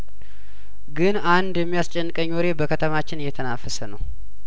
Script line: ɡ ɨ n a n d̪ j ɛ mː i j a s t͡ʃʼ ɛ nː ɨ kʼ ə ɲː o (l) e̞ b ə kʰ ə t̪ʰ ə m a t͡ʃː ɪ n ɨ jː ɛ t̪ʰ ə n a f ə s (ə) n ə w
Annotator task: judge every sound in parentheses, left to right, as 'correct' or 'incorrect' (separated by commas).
incorrect, correct